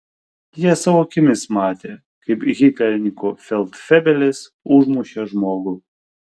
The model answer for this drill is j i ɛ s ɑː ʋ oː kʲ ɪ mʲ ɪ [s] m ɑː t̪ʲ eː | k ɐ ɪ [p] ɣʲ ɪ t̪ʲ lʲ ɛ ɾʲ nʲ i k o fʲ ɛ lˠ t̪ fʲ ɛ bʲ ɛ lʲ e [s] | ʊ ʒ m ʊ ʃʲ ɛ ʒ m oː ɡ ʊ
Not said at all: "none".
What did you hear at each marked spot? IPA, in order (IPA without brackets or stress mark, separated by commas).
s, p, s